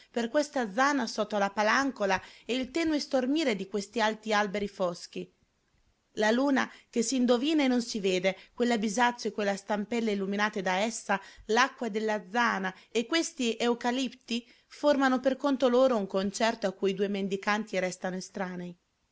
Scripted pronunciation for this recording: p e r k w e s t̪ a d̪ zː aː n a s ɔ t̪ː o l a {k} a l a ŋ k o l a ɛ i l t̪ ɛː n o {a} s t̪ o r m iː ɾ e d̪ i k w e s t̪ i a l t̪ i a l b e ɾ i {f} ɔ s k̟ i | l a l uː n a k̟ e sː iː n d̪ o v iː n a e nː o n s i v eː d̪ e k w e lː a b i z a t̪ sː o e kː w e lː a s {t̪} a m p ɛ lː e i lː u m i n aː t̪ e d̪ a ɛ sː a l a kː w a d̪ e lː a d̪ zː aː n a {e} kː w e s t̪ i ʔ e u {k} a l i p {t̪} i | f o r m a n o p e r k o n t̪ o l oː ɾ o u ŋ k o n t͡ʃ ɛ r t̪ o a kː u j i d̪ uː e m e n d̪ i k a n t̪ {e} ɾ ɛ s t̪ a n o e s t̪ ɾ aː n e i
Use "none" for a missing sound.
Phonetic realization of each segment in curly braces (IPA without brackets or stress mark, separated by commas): p, e, f, t̪, e, k, t̪, i